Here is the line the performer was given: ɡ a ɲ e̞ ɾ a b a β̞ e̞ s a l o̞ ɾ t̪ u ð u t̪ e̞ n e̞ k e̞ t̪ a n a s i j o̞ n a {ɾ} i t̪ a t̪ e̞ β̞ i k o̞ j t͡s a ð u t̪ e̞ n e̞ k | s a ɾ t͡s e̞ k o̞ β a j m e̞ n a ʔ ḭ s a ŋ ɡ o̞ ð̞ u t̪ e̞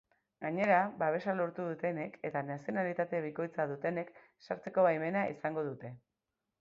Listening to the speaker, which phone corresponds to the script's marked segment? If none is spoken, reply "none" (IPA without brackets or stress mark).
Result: l